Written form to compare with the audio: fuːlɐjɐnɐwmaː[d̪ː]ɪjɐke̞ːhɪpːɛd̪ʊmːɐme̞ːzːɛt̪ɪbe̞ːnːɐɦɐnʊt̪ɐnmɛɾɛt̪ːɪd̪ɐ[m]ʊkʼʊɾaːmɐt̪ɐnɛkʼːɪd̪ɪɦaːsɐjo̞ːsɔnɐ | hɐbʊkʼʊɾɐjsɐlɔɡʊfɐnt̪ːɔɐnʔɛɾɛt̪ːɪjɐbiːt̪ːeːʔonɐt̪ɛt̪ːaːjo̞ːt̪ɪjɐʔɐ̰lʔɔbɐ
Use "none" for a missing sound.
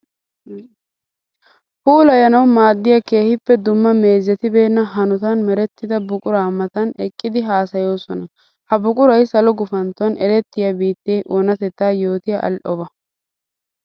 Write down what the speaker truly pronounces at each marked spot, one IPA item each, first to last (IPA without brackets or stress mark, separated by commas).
d̪ː, b